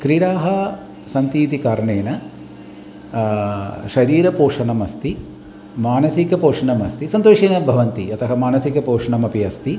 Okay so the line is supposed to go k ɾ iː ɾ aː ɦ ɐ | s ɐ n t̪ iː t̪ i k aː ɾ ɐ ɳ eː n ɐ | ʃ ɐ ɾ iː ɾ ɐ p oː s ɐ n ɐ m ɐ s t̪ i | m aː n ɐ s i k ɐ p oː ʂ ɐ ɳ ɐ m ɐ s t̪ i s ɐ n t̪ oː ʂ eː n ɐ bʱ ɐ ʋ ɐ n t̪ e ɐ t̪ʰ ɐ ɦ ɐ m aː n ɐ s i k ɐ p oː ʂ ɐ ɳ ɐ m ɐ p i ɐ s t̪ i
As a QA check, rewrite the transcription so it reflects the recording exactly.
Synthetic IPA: k ɾ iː ɽ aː ɦ ɐ | s ɐ n t̪ iː t̪ i k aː ɾ ɐ ɳ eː n ɐ | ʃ ɐ ɾ iː ɾ ɐ p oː ʂ ɐ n ɐ m ɐ s t̪ i | m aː n ɐ s i k ɐ p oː ʂ ɐ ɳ ɐ m ɐ s t̪ i s ɐ n t̪ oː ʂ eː n ɐ bʱ ɐ ʋ ɐ n t̪ i ɐ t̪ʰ ɐ ɦ ɐ m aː n ɐ s i k ɐ p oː ʂ ɐ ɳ ɐ m ɐ p i ɐ s t̪ i

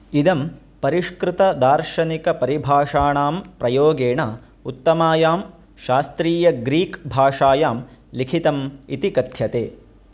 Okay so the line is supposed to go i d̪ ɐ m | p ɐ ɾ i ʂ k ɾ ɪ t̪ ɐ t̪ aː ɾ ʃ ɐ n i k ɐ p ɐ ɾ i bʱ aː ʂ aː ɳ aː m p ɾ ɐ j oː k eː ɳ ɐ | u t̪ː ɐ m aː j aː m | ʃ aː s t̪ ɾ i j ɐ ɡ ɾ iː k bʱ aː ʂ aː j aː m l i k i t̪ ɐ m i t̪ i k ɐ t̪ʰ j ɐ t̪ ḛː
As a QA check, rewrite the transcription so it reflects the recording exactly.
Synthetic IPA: i d̪ ɐ m | p ɐ ɾ i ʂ k ɾ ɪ t̪ ɐ d̪ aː ɾ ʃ ɐ n i k ɐ p ɐ ɾ i bʱ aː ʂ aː ɳ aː m p ɾ ɐ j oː ɡ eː ɳ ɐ | u t̪ː ɐ m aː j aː m | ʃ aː s t̪ ɾ iː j ɐ ɡ ɾ iː k bʱ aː ʂ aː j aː m l i kʰ i t̪ ɐ m i t̪ i k ɐ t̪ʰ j ɐ t̪ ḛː

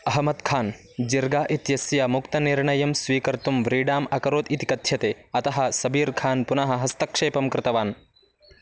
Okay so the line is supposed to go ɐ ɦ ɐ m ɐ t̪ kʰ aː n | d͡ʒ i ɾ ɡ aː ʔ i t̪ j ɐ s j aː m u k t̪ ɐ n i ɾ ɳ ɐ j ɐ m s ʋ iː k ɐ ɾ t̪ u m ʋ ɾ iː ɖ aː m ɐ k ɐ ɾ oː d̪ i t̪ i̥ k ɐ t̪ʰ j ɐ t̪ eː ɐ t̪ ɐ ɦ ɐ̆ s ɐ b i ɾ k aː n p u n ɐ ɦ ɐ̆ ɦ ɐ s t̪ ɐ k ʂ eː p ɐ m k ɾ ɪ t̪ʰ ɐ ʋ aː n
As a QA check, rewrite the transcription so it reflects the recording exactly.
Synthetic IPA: ɐ ɦ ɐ m ɐ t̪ kʰ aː n | d͡ʒ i ɾ ɡ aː ʔ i t̪ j ɐ s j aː m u k t̪ ɐ n i ɾ ɳ ɐ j ɐ m s ʋ iː k ɐ ɾ t̪ u m ʋ ɾ iː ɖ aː m ɐ k ɐ ɾ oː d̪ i t̪ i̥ k ɐ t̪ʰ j ɐ t̪ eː ɐ t̪ ɐ ɦ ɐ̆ s ɐ b iː ɾ kʰ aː n p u n ɐ ɦ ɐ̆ ɦ ɐ s t̪ ɐ k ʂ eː p ɐ m k ɾ ɪ t̪ ɐ ʋ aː n

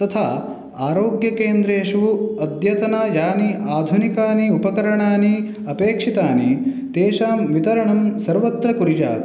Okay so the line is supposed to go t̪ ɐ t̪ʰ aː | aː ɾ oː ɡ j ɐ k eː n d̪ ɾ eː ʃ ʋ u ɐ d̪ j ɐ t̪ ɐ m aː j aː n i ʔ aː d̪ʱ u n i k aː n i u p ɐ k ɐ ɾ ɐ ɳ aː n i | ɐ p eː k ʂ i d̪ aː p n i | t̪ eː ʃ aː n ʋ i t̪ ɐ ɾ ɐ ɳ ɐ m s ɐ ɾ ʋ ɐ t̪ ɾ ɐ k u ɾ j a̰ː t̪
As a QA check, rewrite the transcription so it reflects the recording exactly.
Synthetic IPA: t̪ ɐ t̪ʰ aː | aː ɾ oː ɡ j ɐ k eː n d̪ ɾ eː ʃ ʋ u ɐ d̪ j ɐ t̪ ɐ n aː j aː n i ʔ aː d̪ʱ u n i k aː n i u p ɐ k ɐ ɾ ɐ ɳ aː n i | ɐ p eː k ʂ i t̪ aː n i | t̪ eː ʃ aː m ʋ i t̪ ɐ ɾ ɐ ɳ ɐ m s ɐ ɾ ʋ ɐ t̪ ɾ ɐ k u ɾ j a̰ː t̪

